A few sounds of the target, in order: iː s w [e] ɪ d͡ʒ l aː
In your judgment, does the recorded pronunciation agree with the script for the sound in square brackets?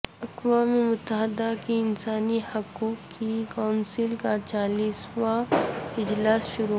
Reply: no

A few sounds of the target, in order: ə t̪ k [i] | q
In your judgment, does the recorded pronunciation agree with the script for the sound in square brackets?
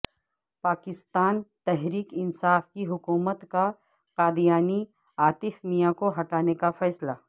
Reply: no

